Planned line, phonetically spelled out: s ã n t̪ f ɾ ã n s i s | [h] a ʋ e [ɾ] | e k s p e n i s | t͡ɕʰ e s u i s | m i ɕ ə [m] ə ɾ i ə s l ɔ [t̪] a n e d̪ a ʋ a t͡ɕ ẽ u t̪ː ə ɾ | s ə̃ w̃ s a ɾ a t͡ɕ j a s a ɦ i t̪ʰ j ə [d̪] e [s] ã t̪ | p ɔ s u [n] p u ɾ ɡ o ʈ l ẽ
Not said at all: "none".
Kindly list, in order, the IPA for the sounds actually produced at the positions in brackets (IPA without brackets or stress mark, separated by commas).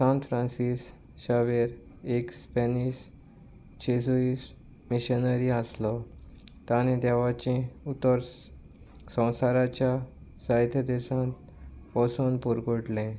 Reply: ɕ, ɾ, n, t̪, d̪, s, n